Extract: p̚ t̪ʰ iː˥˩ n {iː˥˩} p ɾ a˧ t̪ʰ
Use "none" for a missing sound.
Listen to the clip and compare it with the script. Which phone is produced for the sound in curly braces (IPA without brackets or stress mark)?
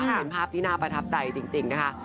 aː˥˩